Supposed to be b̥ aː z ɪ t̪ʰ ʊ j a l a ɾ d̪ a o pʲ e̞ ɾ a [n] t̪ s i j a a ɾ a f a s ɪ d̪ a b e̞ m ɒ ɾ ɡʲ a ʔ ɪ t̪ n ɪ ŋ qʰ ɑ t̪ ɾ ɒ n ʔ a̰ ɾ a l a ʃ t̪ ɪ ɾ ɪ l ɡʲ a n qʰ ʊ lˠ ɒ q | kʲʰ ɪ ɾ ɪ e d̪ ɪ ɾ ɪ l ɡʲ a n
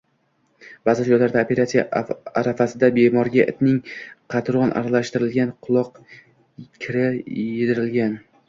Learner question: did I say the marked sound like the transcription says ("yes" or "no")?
no